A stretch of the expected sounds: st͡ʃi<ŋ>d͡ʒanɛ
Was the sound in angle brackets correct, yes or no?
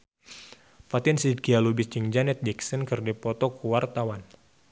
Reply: yes